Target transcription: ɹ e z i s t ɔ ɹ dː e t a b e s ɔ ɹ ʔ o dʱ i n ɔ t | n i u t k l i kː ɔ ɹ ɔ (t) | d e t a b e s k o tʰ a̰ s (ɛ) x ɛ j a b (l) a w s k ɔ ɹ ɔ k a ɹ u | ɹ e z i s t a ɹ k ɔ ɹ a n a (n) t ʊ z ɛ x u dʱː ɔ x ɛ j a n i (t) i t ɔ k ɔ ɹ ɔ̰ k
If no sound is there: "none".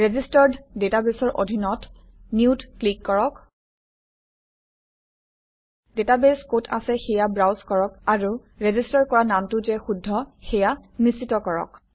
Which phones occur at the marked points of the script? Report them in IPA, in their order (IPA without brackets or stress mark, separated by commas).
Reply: k, ɛ, ɹ, m, s